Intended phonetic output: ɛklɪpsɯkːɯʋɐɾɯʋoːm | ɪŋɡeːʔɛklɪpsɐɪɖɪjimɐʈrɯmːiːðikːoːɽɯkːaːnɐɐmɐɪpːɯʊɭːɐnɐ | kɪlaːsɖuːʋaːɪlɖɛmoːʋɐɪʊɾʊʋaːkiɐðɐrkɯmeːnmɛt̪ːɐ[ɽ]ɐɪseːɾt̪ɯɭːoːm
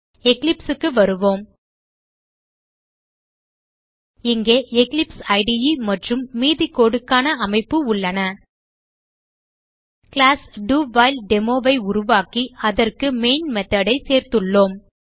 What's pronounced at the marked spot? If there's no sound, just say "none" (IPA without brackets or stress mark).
ɽ